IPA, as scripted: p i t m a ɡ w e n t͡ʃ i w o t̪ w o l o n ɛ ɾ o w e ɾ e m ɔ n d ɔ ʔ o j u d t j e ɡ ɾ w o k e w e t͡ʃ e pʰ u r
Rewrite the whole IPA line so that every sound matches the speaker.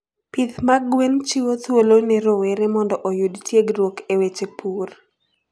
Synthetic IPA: p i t m a ɡ w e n t͡ʃ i w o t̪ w o l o n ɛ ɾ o w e ɾ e m ɔ n d ɔ ʔ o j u d t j e ɡ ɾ w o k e w e t͡ʃ e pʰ u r